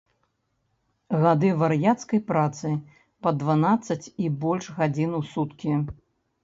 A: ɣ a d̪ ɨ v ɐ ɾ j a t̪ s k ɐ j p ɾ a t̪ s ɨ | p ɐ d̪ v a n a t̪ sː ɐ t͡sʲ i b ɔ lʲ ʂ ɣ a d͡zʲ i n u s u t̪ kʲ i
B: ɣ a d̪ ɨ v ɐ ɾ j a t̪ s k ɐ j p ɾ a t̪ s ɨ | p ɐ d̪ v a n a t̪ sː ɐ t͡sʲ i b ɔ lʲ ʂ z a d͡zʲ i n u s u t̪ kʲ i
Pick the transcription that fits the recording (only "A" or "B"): A